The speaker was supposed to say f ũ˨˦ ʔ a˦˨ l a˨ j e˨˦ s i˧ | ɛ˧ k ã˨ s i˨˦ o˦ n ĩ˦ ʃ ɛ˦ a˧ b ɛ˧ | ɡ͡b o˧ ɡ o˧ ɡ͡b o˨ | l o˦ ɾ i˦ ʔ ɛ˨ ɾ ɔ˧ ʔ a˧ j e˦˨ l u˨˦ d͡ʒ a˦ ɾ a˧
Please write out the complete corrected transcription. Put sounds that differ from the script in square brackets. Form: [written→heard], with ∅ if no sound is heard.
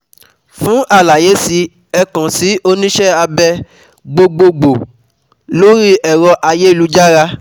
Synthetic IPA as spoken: f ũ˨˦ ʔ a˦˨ l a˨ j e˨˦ s i˧ | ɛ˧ k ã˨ s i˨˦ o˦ n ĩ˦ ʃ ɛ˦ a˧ b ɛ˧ | ɡ͡b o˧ [ɡ→ɡ͡b] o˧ ɡ͡b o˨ | l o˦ ɾ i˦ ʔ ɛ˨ ɾ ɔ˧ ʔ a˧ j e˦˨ l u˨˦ d͡ʒ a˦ ɾ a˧